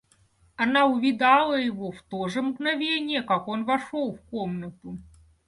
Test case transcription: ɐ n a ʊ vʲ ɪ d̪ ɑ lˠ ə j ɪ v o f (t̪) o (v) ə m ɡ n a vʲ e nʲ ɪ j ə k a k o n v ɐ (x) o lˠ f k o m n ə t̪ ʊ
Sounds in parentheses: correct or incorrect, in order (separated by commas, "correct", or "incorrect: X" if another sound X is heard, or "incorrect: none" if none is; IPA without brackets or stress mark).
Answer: correct, incorrect: ʐ, incorrect: ʂ